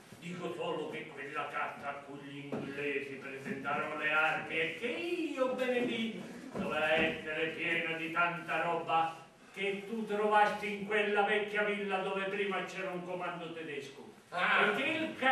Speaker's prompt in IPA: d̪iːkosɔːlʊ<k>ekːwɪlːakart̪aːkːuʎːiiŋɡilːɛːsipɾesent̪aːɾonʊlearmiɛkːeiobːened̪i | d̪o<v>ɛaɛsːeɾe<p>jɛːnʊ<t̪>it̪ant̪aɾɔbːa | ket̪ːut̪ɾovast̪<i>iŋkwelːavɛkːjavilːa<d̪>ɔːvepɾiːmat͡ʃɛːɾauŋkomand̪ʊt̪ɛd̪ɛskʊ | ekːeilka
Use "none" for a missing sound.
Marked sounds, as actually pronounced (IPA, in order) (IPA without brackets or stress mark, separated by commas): k, v, p, d̪, i, d̪